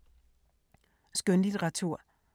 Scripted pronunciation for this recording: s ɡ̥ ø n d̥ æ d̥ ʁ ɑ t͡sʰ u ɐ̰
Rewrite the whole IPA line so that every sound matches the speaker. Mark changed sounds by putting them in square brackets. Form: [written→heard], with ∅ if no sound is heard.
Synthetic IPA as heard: s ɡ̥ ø n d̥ [æ→i] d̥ ʁ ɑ t͡sʰ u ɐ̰